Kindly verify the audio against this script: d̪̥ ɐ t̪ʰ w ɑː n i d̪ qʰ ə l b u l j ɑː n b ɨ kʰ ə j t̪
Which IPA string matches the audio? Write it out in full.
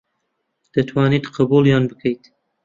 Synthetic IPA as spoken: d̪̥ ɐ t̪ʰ w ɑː n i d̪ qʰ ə b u l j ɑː n b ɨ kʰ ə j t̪